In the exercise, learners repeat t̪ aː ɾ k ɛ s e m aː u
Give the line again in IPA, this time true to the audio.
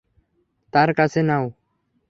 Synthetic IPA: t̪ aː ɾ k a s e n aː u